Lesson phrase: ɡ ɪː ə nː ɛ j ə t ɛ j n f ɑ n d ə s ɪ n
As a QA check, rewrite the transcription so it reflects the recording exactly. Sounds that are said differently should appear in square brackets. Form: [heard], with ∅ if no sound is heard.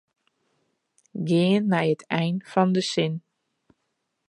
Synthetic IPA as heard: ɡ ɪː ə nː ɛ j ə t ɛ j n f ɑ n d ə s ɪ n